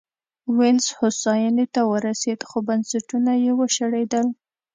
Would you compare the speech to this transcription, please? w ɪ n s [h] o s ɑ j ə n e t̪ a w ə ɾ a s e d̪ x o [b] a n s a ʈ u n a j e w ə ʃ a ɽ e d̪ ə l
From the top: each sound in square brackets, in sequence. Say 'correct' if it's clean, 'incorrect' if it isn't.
correct, correct

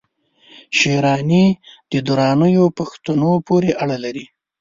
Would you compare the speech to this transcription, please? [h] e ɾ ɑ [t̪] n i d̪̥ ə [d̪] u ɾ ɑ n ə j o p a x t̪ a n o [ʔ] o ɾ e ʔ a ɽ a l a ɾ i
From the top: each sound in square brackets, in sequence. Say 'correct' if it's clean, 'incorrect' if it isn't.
incorrect, incorrect, correct, incorrect

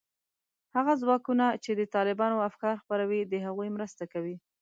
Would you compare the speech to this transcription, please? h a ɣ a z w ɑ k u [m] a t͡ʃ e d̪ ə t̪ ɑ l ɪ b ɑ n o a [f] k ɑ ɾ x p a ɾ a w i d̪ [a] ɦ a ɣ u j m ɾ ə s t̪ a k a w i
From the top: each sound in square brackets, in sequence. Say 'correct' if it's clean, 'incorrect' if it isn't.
incorrect, correct, incorrect

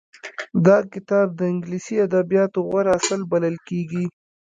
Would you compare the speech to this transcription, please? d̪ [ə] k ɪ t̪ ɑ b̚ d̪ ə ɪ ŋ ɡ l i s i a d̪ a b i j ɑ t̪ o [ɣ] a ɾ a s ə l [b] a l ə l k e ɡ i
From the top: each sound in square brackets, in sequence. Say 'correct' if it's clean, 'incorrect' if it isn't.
incorrect, correct, correct

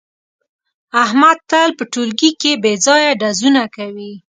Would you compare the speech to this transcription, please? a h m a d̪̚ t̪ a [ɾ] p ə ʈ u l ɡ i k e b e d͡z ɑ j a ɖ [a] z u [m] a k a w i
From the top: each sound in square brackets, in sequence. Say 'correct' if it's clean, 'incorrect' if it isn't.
incorrect, correct, incorrect

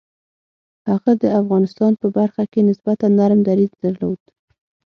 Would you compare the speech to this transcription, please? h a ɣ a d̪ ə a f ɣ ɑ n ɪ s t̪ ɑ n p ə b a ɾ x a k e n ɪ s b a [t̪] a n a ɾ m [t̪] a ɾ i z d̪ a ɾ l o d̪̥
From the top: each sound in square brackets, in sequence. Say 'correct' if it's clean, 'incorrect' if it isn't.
correct, incorrect

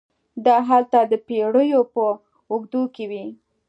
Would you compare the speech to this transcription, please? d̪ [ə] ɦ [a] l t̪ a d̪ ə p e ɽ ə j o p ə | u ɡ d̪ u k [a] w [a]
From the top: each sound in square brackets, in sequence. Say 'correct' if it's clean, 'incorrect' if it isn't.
incorrect, correct, incorrect, incorrect

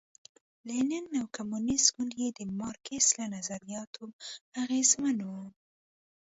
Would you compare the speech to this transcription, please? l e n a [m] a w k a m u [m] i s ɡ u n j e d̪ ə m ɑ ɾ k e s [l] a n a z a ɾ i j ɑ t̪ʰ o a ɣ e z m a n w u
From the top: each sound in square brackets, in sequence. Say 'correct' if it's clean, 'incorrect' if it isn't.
incorrect, incorrect, correct

